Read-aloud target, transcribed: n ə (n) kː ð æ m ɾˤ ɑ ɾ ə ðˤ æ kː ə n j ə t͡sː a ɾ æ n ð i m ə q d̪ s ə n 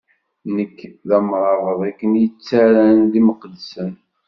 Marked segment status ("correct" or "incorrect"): incorrect